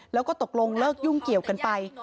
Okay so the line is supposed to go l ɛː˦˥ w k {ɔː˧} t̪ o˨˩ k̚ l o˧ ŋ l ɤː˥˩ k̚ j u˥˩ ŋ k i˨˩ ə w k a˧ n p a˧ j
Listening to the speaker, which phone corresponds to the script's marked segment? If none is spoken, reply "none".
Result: ɔː˥˩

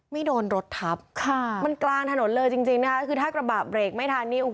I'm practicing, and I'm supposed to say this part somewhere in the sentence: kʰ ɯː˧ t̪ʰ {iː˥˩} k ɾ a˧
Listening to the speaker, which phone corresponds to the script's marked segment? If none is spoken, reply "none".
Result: aː˥˩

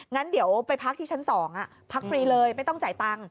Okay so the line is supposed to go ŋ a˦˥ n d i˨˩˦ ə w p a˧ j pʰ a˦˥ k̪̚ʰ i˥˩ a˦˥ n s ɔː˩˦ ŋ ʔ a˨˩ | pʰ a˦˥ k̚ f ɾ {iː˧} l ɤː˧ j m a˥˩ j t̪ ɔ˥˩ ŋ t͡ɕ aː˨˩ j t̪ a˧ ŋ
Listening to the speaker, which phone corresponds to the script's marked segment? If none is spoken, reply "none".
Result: iː˧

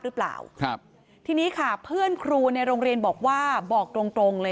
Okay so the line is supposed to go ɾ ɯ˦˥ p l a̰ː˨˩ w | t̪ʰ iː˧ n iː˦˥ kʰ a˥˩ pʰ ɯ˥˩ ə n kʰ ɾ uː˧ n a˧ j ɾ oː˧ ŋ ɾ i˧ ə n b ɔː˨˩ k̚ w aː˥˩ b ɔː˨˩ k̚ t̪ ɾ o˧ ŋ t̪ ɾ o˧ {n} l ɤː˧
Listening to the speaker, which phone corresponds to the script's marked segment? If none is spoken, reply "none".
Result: ŋ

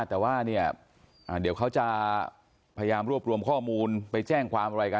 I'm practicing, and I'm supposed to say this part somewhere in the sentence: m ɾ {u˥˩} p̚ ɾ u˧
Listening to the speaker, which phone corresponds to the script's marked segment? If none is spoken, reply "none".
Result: u˥˩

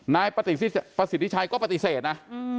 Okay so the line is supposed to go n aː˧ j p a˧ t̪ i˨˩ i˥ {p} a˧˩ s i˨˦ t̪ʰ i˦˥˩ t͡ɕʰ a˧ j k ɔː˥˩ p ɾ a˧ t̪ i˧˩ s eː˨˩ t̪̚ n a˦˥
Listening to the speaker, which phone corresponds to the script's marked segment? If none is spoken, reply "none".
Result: p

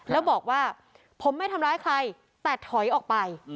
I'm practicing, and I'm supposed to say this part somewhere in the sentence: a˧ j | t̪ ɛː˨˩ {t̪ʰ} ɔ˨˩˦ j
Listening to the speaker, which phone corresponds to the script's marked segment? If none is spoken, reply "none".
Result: t̪ʰ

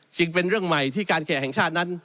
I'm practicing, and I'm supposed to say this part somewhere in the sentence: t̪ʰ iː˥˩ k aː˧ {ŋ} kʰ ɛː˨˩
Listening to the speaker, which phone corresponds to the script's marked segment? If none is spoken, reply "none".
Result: n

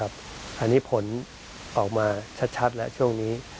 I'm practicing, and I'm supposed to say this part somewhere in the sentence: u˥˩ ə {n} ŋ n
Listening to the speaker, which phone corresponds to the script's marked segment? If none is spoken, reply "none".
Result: none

